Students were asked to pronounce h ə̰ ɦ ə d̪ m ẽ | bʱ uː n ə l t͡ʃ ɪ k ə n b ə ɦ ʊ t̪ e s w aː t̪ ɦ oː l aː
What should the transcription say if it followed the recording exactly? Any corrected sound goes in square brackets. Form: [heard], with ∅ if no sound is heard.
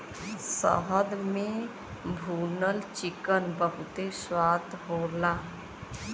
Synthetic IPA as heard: [s] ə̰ ɦ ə d̪ m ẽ | bʱ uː n ə l t͡ʃ ɪ k ə n b ə ɦ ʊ t̪ e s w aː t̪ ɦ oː l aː